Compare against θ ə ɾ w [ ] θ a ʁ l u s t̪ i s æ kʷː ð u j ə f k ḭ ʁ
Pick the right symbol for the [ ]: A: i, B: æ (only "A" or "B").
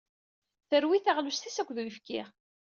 A